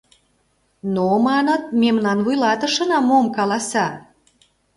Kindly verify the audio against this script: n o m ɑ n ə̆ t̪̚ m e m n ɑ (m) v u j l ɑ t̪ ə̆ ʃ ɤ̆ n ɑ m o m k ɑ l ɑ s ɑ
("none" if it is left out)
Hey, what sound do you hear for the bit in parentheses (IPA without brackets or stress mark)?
n